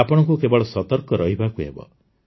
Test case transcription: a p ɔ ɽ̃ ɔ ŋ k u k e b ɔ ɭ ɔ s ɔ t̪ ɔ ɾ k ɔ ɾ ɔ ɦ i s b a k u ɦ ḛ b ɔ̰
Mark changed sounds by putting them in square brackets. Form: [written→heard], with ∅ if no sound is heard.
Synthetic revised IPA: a p ɔ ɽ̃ ɔ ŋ k u k e b ɔ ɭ ɔ s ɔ t̪ ɔ ɾ k ɔ ɾ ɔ ɦ i [s→∅] b a k u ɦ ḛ b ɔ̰